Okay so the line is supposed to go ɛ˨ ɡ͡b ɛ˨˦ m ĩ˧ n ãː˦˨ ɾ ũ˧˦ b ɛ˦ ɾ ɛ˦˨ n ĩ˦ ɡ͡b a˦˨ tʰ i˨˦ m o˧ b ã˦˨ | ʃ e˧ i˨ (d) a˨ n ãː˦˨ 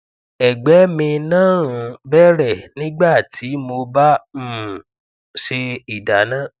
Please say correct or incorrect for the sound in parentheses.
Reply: correct